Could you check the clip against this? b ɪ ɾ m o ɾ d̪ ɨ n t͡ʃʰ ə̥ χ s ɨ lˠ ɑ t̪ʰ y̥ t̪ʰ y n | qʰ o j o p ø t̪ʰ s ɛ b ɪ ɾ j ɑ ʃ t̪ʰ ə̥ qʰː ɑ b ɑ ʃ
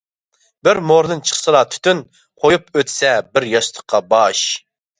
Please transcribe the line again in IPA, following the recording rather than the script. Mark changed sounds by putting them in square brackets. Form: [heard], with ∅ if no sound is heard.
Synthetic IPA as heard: b ɪ ɾ m o ɾ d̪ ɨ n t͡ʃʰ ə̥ χ s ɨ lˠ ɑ t̪ʰ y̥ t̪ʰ y n | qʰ o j [u] p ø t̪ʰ s ɛ b ɪ ɾ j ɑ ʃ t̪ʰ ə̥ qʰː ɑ b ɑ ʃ